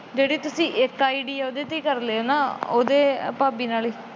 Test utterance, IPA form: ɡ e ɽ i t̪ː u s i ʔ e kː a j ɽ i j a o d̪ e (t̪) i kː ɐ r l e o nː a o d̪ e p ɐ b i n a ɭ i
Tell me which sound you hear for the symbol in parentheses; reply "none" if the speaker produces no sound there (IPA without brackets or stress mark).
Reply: t̪